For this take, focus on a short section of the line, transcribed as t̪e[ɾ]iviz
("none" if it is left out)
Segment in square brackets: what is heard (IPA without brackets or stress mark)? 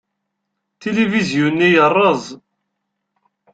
l